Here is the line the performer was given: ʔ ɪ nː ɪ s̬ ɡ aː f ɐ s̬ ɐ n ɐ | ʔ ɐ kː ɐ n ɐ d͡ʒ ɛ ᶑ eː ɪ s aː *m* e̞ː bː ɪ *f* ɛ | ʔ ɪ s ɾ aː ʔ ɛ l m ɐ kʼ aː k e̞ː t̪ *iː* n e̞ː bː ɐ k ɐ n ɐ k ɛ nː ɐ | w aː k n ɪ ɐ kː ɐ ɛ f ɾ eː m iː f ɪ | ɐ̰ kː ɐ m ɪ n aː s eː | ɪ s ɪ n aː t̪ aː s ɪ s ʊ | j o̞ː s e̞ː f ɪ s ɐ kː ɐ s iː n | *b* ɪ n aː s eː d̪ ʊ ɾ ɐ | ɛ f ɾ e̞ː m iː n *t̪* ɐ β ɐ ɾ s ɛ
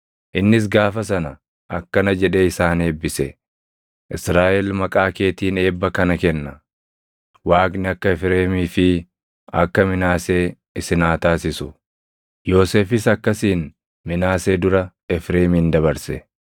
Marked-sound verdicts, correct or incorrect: incorrect: n, incorrect: s, correct, incorrect: m, incorrect: d̪

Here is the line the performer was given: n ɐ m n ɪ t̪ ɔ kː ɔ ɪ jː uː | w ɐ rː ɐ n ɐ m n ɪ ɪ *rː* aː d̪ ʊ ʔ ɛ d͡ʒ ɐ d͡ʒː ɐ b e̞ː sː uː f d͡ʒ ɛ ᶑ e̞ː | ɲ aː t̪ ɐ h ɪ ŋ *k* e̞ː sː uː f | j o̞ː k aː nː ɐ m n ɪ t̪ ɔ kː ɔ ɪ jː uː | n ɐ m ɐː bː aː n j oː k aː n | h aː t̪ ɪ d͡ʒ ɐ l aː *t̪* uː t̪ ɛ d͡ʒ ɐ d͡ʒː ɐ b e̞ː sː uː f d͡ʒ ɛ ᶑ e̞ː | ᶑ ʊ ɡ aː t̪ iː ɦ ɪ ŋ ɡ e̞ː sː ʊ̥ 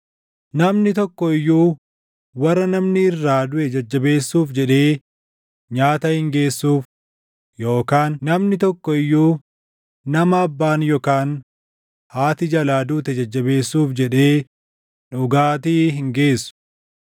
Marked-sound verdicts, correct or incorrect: correct, incorrect: ɡ, incorrect: d̪

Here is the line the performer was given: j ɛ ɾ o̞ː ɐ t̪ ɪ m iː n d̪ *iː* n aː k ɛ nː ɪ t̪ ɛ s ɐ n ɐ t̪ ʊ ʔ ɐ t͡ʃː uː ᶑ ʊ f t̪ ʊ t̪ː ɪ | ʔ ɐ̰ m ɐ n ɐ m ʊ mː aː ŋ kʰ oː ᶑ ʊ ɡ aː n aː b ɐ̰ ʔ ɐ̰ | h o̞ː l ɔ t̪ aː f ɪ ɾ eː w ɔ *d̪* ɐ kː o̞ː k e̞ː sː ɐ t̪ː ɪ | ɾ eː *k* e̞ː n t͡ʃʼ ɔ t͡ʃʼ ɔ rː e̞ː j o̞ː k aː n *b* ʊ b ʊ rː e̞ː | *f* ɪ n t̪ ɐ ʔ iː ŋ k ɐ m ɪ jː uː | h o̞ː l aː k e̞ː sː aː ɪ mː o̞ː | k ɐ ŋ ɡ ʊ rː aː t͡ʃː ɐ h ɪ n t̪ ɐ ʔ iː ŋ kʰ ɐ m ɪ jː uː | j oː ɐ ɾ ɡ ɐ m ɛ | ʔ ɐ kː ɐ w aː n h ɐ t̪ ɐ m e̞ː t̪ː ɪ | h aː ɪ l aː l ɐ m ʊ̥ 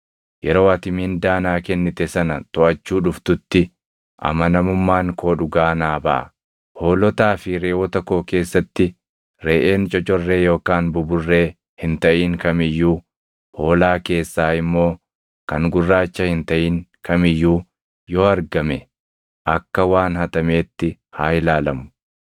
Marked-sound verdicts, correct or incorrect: incorrect: aː, incorrect: t̪, incorrect: ʔ, correct, incorrect: h

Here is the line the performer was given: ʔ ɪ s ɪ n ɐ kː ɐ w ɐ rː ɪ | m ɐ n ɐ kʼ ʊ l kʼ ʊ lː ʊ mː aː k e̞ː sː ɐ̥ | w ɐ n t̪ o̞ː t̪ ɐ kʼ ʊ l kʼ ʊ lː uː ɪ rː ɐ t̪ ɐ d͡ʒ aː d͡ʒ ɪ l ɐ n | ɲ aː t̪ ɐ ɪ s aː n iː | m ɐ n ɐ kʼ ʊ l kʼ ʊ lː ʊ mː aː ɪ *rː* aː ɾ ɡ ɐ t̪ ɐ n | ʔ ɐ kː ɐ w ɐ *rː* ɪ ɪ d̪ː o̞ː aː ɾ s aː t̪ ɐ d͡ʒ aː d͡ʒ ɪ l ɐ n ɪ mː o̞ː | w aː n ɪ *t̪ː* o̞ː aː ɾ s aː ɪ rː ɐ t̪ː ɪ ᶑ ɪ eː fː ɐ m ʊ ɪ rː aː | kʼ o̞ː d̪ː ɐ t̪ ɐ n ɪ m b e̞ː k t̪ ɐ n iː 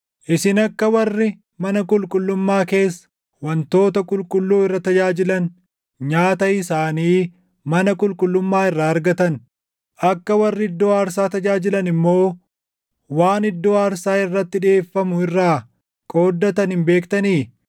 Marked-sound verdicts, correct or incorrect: correct, correct, incorrect: d̪ː

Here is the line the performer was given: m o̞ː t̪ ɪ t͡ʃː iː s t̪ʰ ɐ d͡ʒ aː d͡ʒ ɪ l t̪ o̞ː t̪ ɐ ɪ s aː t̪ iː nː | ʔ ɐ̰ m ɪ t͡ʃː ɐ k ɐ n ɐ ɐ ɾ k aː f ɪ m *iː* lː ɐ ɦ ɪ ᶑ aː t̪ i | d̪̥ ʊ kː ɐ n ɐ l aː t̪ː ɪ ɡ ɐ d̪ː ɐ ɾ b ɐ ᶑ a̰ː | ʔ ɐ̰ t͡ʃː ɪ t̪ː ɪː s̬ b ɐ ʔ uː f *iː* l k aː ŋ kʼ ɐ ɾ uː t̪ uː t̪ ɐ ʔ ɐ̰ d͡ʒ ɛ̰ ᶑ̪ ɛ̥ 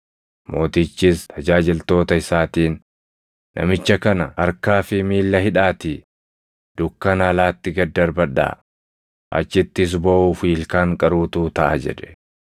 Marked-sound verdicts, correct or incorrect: correct, correct

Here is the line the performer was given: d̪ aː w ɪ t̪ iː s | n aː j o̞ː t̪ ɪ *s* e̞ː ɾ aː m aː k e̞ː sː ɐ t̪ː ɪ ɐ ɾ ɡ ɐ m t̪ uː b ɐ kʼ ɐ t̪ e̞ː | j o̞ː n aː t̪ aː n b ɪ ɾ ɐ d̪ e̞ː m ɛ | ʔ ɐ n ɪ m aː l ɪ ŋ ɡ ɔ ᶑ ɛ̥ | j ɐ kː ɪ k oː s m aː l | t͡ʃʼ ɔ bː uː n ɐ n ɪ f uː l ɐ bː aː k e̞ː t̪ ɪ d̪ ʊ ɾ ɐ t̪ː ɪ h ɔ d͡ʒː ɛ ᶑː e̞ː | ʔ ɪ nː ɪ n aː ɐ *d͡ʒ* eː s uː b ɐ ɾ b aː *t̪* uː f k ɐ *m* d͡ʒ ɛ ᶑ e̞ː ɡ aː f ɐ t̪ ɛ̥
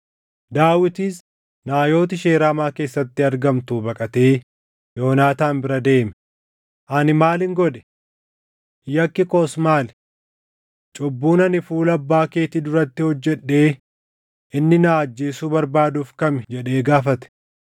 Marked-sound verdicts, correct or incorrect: incorrect: ʃ, incorrect: d͡ʒː, incorrect: d̪, correct

